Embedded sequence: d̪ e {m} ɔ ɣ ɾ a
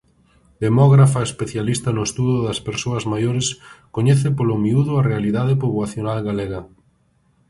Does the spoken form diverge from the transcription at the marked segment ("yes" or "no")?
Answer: no